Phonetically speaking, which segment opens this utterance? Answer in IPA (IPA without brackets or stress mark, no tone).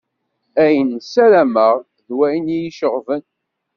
æ